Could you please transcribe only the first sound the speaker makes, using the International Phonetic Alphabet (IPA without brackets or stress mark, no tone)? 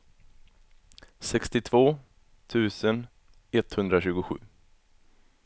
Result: s